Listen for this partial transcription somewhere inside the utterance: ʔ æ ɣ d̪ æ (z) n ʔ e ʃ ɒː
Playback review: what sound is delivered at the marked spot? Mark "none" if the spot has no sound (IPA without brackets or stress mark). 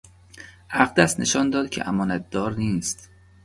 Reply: s